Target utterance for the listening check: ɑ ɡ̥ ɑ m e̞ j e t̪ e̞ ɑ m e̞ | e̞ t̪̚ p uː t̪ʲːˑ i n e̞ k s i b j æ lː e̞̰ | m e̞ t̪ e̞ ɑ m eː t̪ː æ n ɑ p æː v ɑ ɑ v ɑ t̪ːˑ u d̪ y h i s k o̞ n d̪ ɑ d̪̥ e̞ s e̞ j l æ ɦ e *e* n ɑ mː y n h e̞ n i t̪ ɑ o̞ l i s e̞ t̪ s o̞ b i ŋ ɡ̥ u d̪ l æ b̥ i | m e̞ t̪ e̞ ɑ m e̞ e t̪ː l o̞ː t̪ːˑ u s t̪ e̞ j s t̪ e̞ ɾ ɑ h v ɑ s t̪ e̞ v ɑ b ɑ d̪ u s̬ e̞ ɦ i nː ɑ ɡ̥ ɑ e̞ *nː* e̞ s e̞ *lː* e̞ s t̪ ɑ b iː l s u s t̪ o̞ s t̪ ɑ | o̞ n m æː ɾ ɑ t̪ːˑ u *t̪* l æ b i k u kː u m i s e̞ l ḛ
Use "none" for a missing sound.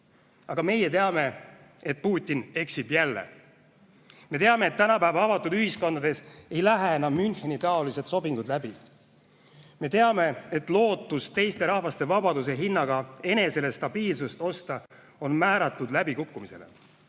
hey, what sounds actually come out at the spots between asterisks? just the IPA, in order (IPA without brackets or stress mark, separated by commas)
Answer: e, n, l, d̪